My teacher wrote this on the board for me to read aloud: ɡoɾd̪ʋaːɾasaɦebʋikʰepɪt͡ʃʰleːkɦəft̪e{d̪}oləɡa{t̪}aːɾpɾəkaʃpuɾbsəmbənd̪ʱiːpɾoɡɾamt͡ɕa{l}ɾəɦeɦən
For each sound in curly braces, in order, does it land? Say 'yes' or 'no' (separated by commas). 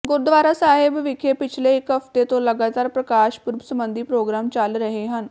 no, yes, yes